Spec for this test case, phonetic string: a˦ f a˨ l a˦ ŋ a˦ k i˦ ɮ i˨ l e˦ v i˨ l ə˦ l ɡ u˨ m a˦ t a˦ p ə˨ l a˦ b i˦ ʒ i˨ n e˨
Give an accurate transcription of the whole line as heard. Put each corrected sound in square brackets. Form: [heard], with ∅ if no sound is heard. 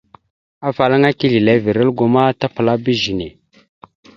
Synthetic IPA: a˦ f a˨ l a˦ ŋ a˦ k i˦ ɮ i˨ l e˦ v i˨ [ɾ] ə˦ l ɡ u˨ m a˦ t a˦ p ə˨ l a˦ b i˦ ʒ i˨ n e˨

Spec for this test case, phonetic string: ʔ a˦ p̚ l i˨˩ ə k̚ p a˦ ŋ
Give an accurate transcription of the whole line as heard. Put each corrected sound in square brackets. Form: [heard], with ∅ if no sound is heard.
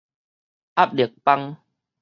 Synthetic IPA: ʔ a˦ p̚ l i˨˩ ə k̚ p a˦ ŋ

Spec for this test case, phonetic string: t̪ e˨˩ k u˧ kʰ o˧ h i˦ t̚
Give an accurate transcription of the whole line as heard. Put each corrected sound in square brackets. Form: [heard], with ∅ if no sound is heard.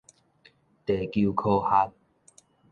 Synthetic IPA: t̪ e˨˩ k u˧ kʰ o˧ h [a˦] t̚

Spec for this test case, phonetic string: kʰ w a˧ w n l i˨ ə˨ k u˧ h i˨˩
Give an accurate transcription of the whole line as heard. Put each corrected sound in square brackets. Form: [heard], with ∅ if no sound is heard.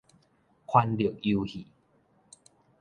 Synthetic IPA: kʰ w a˧ [∅] n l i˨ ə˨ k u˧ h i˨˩

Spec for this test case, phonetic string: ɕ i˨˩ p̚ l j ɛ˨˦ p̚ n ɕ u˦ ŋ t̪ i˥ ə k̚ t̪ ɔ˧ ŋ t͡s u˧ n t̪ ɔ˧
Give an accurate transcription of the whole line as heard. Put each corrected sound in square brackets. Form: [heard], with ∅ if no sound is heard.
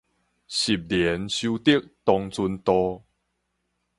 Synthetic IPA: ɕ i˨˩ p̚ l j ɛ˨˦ [∅] n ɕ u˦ [∅] t̪ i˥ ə k̚ t̪ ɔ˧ ŋ t͡s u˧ n t̪ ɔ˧

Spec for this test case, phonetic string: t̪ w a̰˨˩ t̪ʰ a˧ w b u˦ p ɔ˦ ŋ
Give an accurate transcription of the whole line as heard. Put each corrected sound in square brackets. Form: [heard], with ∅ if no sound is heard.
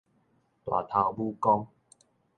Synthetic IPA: t̪ w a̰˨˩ t̪ʰ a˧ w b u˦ [k] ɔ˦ ŋ

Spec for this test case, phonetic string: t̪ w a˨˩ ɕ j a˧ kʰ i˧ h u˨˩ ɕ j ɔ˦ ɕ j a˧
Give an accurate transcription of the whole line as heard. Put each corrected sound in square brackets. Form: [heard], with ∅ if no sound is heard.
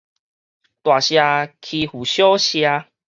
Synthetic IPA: t̪ w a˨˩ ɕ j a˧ kʰ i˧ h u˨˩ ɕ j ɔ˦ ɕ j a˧

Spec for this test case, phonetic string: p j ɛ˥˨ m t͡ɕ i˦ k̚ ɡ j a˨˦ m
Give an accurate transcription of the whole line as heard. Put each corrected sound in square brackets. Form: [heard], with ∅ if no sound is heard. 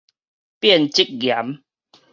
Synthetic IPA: p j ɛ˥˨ [n] t͡ɕ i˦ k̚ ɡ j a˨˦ m

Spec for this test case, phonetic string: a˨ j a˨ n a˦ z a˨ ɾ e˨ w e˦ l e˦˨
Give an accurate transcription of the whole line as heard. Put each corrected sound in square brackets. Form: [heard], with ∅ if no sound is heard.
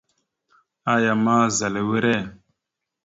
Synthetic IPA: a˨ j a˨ [m] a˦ z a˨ [l] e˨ w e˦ [ɾ] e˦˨

